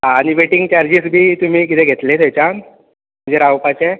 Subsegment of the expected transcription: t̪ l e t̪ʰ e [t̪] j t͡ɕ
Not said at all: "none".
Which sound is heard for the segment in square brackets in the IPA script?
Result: none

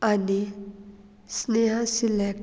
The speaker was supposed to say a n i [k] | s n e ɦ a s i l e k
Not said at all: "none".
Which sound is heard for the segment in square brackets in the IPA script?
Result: none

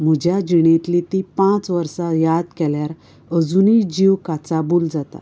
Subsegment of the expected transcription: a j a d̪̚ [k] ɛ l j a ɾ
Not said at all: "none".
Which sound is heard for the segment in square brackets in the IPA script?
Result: k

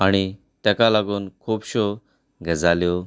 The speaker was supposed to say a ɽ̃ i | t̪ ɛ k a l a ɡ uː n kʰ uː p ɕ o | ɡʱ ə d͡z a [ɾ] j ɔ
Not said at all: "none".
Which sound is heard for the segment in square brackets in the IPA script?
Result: l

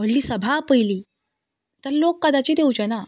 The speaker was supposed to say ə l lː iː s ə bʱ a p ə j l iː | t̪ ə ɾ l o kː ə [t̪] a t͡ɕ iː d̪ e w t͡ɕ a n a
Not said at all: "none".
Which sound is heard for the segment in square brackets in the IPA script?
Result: d̪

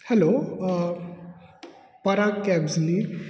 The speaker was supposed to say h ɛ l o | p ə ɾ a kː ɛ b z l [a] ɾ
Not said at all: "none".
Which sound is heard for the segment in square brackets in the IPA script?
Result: i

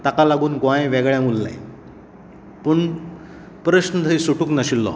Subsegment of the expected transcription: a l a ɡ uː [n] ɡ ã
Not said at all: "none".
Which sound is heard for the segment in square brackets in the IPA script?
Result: n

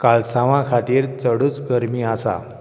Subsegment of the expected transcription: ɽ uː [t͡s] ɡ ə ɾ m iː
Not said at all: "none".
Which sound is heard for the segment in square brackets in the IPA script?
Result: t͡s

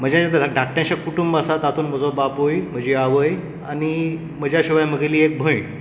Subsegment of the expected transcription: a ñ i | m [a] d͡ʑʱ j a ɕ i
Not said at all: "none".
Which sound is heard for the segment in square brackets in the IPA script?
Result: ə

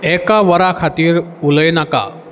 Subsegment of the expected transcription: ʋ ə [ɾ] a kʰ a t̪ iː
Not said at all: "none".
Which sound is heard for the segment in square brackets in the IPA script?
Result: ɾ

